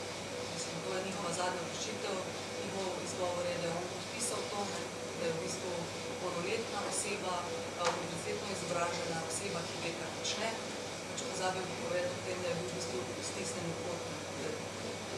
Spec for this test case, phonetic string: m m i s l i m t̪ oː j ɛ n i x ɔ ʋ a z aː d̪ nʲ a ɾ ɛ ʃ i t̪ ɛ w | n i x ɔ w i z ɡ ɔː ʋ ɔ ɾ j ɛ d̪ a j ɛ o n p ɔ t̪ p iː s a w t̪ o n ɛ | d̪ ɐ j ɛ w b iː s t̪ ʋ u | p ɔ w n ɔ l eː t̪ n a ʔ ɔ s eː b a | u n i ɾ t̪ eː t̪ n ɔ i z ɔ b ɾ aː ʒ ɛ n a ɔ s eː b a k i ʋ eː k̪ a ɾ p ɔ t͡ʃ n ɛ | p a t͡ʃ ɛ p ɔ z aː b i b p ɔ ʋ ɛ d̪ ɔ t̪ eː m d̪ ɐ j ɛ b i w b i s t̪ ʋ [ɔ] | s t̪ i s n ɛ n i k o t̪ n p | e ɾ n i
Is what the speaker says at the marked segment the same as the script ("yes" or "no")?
no